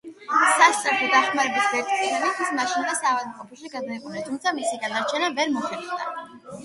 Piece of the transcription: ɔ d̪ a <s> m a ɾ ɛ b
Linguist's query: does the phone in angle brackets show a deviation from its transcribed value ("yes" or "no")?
yes